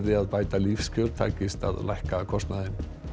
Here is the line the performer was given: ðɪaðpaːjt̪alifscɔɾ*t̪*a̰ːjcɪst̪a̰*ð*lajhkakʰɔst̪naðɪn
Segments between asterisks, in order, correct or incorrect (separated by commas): incorrect, correct